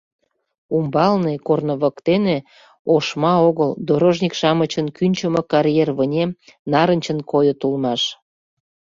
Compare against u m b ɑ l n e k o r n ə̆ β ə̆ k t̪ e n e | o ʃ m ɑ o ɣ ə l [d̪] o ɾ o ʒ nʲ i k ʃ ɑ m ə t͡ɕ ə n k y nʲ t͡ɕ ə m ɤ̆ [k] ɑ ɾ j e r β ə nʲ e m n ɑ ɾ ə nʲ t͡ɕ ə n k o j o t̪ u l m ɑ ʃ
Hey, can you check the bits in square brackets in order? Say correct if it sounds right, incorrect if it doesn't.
correct, correct

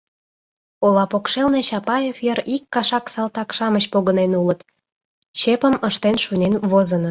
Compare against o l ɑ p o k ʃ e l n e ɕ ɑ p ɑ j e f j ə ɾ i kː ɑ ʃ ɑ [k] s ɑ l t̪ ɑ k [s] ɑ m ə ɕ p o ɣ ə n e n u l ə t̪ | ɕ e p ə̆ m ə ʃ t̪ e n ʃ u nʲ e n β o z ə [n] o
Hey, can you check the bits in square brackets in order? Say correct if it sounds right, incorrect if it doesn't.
correct, incorrect: ʃ, correct

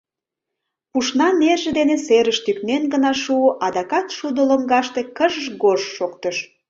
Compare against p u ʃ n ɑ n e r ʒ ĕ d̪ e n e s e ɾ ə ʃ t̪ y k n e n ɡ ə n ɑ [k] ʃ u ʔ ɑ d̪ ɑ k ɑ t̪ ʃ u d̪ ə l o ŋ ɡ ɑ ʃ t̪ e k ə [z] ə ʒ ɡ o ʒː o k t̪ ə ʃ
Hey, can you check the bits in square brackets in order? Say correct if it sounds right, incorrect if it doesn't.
incorrect: none, incorrect: ʒ

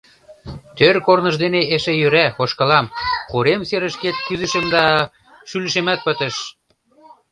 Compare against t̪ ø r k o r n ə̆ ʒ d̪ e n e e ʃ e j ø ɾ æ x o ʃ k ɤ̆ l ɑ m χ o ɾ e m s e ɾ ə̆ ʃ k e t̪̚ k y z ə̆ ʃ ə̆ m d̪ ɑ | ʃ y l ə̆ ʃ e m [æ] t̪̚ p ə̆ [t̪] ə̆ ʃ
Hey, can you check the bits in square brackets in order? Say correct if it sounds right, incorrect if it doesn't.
correct, correct

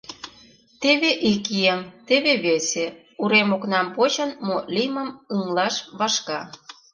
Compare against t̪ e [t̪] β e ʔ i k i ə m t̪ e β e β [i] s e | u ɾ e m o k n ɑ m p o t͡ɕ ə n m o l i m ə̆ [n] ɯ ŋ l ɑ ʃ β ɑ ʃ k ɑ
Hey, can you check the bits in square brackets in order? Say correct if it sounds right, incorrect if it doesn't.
incorrect: none, incorrect: e, incorrect: m

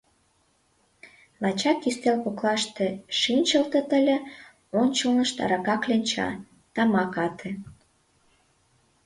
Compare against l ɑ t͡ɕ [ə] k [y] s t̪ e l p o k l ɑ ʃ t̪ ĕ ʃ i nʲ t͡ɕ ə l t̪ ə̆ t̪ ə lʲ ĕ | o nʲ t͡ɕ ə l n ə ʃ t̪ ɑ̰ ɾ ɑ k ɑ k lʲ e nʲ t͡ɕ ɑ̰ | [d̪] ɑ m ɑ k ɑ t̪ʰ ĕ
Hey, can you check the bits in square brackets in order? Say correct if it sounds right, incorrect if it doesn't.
incorrect: ɑ, incorrect: i, incorrect: t̪

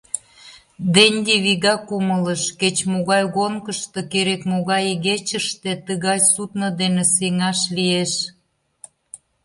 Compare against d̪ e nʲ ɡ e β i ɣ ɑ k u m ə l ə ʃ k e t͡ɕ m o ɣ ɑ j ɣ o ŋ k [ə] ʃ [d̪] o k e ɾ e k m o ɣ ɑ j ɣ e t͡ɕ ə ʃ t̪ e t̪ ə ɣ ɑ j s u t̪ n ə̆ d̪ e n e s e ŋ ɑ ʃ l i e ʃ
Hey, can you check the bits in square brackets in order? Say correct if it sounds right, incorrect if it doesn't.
correct, incorrect: t̪

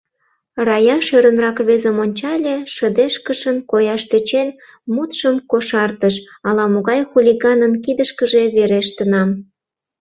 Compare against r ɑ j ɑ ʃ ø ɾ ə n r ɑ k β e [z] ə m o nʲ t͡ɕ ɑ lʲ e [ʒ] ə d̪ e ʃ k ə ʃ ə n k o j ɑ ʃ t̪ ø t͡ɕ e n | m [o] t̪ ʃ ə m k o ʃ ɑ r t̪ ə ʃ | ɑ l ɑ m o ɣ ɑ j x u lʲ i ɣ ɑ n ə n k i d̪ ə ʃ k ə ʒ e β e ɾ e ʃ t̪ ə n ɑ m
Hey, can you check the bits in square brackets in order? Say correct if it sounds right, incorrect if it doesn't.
correct, incorrect: ʃ, incorrect: u

